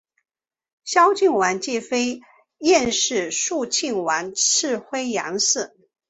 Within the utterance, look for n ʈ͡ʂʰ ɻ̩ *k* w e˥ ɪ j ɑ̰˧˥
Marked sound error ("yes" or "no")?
yes